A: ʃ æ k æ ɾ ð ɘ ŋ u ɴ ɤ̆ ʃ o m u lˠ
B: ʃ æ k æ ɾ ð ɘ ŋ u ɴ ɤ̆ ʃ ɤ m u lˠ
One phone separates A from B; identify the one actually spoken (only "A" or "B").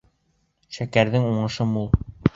B